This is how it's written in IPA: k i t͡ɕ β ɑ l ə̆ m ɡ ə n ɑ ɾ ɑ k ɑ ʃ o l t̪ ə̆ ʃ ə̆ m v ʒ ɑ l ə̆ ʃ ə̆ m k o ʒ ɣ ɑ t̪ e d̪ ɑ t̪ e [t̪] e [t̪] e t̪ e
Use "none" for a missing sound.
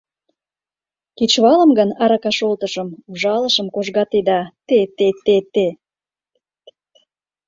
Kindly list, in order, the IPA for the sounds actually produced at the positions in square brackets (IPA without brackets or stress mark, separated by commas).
t̪, t̪